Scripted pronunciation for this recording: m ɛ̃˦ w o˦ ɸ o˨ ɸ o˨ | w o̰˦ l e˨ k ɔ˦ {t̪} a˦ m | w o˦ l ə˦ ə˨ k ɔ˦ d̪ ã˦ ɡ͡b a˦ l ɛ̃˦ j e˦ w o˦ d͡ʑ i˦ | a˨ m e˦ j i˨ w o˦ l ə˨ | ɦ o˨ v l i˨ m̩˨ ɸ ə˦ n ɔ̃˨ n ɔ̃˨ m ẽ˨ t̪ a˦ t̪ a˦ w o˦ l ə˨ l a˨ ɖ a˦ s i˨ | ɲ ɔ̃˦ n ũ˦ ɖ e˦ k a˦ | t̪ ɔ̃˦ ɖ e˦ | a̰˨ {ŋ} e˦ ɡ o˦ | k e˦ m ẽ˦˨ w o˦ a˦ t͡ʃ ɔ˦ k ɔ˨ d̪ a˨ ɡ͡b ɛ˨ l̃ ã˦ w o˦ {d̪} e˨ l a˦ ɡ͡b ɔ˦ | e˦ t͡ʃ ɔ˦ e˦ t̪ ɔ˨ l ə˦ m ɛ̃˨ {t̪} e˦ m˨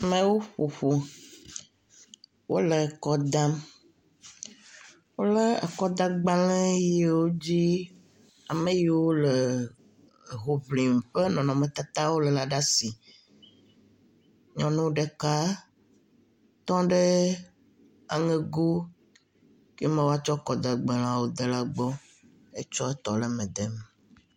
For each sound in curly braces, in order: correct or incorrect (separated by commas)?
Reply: incorrect, correct, correct, incorrect